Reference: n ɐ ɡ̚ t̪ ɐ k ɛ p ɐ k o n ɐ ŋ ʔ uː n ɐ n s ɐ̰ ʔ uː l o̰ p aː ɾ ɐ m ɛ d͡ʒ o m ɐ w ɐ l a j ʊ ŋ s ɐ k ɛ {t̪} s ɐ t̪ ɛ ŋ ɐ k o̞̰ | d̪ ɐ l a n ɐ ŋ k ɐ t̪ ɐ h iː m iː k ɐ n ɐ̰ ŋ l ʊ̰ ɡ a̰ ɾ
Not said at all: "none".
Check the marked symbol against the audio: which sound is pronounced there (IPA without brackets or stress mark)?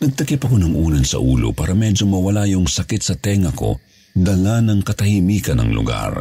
t̪